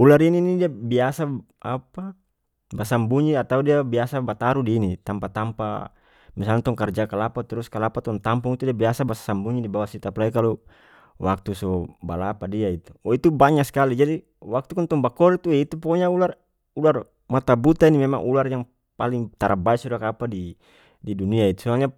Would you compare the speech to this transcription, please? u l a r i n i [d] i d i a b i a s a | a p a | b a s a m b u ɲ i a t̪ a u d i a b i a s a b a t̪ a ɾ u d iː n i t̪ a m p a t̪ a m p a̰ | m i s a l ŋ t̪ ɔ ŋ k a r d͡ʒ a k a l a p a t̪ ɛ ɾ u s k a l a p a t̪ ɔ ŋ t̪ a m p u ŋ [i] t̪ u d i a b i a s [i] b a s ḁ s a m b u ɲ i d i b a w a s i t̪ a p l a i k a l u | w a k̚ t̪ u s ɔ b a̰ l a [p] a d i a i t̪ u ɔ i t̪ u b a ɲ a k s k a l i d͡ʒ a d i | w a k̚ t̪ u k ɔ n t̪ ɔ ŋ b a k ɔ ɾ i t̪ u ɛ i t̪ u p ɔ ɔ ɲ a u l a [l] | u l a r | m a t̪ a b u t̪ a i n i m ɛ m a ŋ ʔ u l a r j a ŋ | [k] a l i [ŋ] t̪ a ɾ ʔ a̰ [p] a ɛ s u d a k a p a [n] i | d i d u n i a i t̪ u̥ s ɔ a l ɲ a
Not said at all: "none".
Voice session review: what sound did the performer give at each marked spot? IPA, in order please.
n, i, a, p, r, p, ŋ, b, d

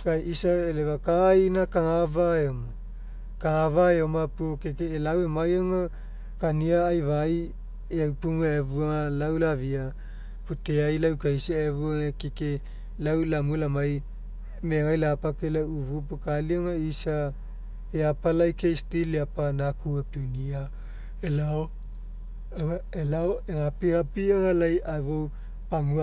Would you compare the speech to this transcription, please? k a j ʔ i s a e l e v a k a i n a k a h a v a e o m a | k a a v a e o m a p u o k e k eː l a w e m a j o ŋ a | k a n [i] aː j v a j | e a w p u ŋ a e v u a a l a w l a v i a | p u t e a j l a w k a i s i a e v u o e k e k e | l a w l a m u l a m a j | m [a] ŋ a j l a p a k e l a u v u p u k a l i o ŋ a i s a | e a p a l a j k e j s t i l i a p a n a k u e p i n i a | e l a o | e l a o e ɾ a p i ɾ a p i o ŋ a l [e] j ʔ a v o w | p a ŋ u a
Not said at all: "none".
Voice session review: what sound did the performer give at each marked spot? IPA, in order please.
i, e, a

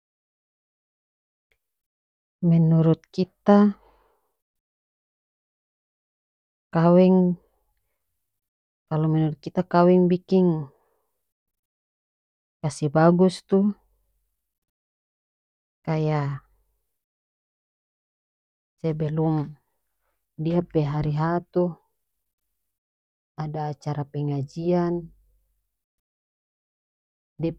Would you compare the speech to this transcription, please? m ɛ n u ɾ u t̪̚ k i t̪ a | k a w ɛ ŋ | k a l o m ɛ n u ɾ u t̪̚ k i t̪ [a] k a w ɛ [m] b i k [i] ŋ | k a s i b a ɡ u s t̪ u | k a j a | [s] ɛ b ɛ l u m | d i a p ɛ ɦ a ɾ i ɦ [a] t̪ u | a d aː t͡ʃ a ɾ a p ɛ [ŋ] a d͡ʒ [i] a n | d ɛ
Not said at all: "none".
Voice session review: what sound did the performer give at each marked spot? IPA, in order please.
a, ŋ, i, s, a, ŋ, i

